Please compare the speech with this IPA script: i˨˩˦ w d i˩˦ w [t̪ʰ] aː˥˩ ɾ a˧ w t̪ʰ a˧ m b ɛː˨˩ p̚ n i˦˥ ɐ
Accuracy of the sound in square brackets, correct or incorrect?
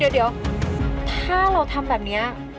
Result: correct